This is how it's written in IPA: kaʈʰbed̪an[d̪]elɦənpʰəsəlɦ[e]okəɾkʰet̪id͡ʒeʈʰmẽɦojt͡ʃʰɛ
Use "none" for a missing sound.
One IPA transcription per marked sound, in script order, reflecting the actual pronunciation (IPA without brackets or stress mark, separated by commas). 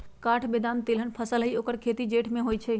t̪, i